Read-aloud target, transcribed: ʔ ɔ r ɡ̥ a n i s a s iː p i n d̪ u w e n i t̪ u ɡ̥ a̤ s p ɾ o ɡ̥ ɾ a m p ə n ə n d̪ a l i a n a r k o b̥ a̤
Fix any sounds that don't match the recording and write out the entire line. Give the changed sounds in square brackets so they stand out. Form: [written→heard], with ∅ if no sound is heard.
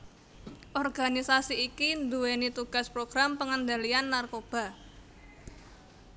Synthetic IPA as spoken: ʔ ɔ r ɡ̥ a n i s a s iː [p→k] i n d̪ u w e n i t̪ u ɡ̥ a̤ s p ɾ o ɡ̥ ɾ a m p ə [n→ŋ] ə n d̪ a l i a [n→nː] a r k o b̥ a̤